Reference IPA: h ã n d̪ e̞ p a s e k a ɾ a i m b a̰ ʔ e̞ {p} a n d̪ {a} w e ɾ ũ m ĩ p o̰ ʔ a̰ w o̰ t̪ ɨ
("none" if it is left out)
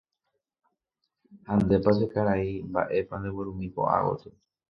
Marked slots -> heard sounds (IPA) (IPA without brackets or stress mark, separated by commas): p, e